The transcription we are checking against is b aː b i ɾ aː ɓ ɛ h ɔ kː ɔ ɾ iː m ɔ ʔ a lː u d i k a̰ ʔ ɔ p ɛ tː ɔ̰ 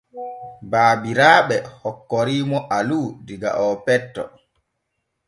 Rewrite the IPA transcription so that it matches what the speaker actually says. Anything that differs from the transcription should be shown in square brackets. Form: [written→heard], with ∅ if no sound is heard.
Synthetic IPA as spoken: b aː b i ɾ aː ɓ ɛ h ɔ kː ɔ ɾ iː m ɔ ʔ a [lː→l] u d i [k→ɡ] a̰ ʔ ɔ p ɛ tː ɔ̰